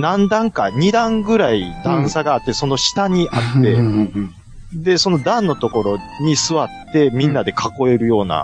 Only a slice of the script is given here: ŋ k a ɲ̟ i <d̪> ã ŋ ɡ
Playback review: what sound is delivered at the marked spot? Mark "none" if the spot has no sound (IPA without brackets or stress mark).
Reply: d̪